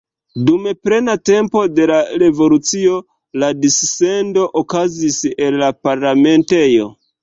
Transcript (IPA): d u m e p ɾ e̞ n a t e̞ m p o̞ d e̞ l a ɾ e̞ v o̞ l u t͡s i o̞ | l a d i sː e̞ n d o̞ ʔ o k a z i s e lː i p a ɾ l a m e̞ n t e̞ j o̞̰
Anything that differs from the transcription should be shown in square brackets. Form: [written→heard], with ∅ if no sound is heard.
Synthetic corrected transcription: d u m e p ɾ e̞ n a t e̞ m p o̞ d e̞ l a ɾ e̞ v o̞ l u t͡s i o̞ | l a d i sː e̞ n d o̞ ʔ o k a z i s e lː [i→a] p a ɾ l a m e̞ n t e̞ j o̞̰